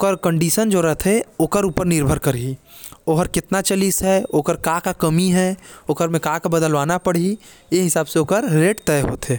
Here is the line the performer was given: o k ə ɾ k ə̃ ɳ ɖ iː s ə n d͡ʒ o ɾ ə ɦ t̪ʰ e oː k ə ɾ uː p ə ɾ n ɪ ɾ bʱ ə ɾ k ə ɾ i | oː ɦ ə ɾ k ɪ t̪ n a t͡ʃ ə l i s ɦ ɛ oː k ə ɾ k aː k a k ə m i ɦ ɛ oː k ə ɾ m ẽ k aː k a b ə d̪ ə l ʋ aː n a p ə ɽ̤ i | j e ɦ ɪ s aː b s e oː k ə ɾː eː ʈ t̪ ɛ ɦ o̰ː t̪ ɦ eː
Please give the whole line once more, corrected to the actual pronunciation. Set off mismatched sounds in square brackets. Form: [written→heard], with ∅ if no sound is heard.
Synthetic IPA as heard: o k ə ɾ k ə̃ ɳ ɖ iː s ə n d͡ʒ o ɾ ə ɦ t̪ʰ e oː k ə ɾ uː p ə ɾ n ɪ ɾ bʱ ə ɾ k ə ɾ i | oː ɦ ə ɾ k ɪ t̪ n a t͡ʃ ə l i s ɦ ɛ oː k ə ɾ k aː k a k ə m i ɦ ɛ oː k ə ɾ m ẽ k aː k a b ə d̪ ə l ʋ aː n a p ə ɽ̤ i | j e ɦ ɪ s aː b s e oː k ə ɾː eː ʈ t̪ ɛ ɦ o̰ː t̪ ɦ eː